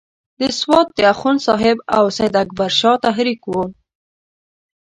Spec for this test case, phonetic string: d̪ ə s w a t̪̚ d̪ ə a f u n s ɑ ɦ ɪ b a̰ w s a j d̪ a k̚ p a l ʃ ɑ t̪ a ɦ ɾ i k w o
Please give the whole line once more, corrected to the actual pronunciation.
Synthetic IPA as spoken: d̪ ə s w ɑ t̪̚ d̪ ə a x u n s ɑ ɦ ɪ b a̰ w s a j d̪ a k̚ b a ɾ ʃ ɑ t̪ a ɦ ɾ i k w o